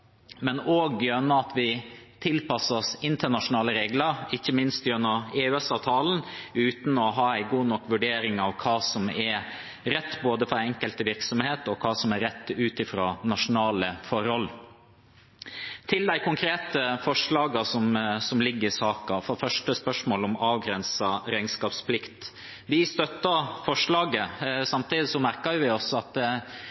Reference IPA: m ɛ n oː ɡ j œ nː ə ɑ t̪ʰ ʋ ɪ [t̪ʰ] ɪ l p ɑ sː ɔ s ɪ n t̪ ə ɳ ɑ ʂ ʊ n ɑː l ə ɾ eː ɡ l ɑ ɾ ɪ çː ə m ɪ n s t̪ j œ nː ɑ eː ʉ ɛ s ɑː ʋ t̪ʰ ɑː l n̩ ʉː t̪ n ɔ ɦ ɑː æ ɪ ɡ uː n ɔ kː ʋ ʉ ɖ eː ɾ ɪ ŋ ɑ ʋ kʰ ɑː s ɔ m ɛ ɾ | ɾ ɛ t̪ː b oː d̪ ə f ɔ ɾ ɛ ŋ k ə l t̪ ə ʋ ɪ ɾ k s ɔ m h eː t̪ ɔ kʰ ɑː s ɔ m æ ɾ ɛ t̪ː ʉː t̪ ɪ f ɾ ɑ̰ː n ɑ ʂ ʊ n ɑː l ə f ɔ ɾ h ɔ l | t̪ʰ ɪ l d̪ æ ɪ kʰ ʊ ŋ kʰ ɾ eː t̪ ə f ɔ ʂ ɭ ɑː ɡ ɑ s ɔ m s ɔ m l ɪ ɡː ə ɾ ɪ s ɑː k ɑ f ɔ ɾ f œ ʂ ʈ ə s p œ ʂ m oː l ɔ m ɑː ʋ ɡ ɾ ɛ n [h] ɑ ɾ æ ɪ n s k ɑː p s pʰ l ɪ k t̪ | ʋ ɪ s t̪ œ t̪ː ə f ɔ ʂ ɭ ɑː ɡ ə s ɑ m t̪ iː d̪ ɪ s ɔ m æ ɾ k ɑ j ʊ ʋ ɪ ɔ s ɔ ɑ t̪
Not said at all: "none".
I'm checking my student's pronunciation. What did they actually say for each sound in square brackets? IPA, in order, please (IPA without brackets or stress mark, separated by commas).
t̪ʰ, s